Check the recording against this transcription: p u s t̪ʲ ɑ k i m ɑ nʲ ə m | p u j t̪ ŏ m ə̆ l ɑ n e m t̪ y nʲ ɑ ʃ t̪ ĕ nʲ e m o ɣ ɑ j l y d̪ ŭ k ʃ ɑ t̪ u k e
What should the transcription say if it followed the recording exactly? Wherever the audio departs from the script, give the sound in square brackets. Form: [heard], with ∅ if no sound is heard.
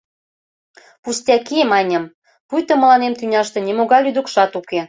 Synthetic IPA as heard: p u s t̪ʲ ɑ k i m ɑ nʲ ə m | p u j t̪ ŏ m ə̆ l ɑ n e m t̪ y nʲ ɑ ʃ t̪ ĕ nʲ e m o ɣ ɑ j l y d̪ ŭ k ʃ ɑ t̪ u k e